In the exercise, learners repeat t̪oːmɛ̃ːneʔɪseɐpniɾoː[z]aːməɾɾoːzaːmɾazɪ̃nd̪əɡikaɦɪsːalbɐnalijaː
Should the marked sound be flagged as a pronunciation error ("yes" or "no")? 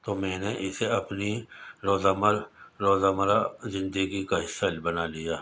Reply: no